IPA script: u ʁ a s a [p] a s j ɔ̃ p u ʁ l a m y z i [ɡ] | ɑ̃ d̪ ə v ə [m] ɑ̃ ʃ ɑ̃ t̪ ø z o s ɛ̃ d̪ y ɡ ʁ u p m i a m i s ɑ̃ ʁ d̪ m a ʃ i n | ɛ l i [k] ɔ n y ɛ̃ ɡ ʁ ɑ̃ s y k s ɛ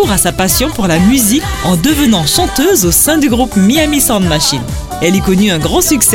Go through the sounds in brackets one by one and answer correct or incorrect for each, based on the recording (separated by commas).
correct, incorrect, incorrect, correct